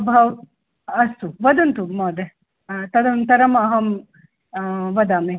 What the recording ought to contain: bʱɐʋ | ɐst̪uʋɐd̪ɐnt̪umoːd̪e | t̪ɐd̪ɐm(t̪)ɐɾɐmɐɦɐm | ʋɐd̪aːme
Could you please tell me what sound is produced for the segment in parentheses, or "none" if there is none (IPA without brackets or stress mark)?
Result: t̪